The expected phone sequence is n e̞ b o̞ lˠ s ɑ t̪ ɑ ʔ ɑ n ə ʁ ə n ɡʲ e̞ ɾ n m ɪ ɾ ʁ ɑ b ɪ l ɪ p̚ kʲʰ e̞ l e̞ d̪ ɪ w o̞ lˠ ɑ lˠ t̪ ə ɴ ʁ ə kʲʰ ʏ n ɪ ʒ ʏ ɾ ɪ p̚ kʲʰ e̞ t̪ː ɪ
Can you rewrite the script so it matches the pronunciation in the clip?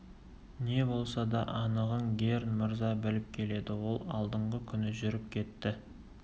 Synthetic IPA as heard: n e̞ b o̞ lˠ s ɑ d̪ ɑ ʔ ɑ n ə ʁ ə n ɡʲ e̞ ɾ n m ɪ ɾ z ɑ b ɪ l ɪ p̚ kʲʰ e̞ l e̞ d̪ ɪ w o̞ lˠ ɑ lˠ d̪ ə ɴ ʁ ə kʲʰ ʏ n ɪ ʒ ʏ ɾ ɪ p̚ kʲʰ e̞ t̪ː ɪ